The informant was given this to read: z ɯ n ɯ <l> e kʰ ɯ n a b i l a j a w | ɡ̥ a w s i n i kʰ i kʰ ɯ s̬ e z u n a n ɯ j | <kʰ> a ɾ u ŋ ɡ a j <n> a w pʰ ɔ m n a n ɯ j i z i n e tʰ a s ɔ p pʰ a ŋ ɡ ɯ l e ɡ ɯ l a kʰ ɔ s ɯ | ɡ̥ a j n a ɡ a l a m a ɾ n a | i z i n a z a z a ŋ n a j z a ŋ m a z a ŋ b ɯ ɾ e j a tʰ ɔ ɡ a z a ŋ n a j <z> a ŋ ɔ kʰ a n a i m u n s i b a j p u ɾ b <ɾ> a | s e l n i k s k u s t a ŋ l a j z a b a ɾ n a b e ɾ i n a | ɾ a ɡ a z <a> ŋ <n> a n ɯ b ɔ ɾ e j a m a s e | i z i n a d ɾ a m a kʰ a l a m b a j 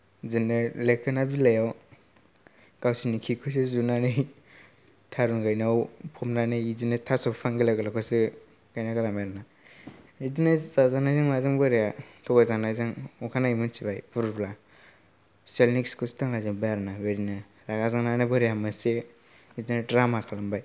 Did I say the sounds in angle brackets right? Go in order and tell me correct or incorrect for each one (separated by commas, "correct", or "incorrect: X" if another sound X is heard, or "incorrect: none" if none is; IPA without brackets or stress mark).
correct, incorrect: tʰ, correct, correct, incorrect: l, correct, correct